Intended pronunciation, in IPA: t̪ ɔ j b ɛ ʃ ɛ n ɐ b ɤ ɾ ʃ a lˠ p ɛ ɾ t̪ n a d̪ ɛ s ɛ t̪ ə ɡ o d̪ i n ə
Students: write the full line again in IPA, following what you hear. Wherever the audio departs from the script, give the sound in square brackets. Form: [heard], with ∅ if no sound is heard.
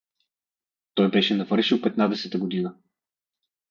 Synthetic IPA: t̪ ɔ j b ɛ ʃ ɛ n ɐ [v] ɤ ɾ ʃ [i] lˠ p ɛ [∅] t̪ n a d̪ ɛ s ɛ t̪ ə ɡ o d̪ i n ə